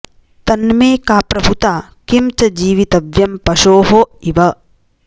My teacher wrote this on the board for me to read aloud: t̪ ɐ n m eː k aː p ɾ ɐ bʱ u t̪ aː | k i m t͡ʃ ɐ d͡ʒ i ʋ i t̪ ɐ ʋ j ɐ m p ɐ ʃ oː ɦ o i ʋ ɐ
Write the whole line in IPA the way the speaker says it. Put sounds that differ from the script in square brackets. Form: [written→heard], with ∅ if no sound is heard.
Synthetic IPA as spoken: t̪ ɐ n m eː k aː p ɾ ɐ bʱ u t̪ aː | k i m t͡ʃ ɐ d͡ʒ [i→iː] ʋ i t̪ ɐ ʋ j ɐ m p ɐ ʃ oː ɦ o i ʋ ɐ